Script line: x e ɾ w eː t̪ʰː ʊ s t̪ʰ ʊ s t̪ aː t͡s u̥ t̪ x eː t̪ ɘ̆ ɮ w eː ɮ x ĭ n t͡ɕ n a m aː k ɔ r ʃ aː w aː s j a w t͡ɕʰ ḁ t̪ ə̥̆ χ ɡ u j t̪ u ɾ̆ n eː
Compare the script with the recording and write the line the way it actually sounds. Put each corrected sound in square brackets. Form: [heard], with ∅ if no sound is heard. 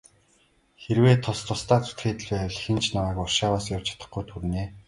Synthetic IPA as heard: x e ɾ w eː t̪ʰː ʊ s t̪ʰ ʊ s t̪ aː t͡s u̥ t̪ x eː t̪ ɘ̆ ɮ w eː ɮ x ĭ n t͡ɕ n a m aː k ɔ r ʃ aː w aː s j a w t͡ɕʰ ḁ t̪ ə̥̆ χ ɡ u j [t̪ʰ] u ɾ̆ n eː